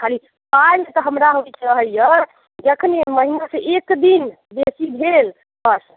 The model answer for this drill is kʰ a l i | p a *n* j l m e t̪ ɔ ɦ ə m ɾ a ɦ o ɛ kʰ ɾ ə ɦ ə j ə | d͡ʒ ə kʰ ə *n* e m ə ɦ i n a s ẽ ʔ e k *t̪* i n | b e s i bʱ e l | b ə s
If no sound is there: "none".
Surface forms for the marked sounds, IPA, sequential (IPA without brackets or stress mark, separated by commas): none, n, d̪